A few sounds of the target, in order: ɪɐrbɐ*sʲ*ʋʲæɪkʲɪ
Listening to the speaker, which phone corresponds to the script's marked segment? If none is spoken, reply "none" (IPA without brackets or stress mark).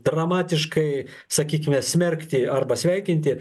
sʲ